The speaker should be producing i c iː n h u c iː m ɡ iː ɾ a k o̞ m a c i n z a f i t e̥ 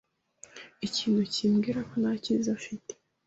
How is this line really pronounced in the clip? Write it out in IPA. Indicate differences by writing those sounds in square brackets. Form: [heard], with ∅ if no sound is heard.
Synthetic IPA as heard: i c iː n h u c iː m ɡ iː ɾ a k o̞ [n] a c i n z a f i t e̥